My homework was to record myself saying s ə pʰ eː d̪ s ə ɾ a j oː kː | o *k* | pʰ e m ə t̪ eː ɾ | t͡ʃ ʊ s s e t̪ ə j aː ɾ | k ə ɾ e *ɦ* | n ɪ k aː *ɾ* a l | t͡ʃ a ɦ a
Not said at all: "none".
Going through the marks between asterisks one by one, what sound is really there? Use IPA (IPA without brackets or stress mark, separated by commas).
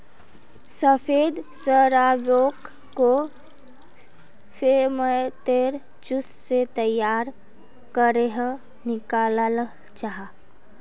none, ɦ, l